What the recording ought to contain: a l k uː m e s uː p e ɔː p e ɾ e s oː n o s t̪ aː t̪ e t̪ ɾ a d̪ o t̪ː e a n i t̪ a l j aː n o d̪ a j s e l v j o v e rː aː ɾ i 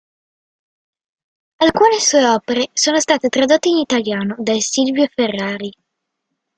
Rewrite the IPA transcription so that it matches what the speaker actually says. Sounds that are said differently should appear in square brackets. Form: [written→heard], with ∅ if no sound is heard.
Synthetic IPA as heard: a l k uː [m→n] e s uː [p→∅] e ɔː p e ɾ e s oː n o s t̪ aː t̪ e t̪ ɾ a d̪ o t̪ː e [a→i] n i t̪ a l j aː n o d̪ a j s [e→i] l v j o [v→f] e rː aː ɾ i